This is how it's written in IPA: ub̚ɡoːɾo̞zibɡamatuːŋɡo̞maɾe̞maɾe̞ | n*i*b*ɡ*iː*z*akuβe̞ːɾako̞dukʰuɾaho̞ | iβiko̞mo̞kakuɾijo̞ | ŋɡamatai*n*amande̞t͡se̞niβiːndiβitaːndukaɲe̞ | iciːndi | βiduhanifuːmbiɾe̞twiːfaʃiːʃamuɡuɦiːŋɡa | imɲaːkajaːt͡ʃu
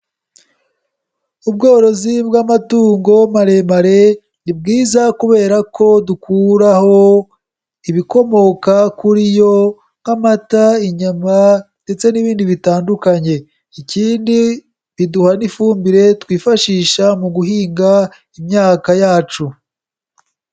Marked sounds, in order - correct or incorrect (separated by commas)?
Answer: correct, correct, correct, incorrect